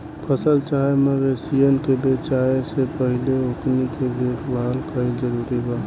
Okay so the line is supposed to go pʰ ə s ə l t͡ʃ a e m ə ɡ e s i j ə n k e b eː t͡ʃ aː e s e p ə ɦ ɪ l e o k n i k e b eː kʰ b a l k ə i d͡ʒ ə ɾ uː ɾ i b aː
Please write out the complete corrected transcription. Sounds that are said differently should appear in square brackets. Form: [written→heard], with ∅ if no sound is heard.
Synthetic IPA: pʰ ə s ə l t͡ʃ a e m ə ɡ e s i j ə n k e b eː t͡ʃ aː e s e p ə ɦ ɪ l e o k n i k e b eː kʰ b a l k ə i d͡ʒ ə ɾ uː ɾ i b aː